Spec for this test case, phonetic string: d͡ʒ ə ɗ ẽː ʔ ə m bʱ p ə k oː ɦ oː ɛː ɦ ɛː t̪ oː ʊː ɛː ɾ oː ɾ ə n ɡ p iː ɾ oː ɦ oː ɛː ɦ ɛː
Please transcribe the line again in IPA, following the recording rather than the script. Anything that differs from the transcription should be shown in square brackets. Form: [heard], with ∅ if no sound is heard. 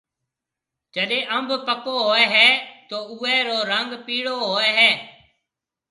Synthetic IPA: d͡ʒ ə ɗ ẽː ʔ ə m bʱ p ə k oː ɦ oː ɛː ɦ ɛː t̪ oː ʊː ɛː ɾ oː ɾ ə [ŋ] ɡ p iː [ɽ] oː ɦ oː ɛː ɦ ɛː